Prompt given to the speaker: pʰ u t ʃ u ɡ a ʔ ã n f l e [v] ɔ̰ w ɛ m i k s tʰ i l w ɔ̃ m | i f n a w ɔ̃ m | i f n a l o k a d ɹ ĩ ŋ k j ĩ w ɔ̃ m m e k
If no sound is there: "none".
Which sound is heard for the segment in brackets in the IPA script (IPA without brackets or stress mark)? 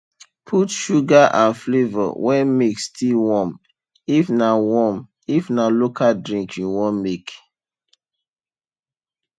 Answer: v